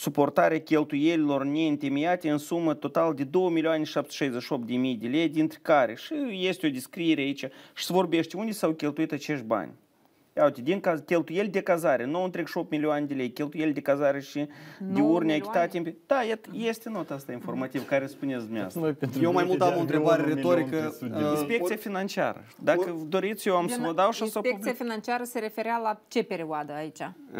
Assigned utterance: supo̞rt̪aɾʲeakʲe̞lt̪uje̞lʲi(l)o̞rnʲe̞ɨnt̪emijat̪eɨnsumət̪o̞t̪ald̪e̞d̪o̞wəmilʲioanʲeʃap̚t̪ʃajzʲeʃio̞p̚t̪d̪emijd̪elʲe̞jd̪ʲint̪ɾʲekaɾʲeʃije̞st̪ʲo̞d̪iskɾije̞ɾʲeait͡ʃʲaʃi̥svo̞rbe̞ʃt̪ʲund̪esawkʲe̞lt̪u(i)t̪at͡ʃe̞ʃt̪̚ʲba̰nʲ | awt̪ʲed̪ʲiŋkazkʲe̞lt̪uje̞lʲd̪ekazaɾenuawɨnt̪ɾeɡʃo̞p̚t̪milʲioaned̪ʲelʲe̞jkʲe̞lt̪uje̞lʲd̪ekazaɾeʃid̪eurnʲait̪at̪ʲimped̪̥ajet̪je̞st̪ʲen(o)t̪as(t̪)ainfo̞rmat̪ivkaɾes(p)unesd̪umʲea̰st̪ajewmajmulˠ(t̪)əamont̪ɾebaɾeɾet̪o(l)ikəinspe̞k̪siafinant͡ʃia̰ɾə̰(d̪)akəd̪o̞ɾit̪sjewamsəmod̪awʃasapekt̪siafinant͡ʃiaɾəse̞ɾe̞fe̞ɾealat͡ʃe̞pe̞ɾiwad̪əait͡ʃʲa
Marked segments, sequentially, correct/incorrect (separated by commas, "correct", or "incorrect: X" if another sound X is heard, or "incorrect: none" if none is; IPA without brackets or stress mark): correct, correct, correct, correct, correct, correct, incorrect: ɾ, correct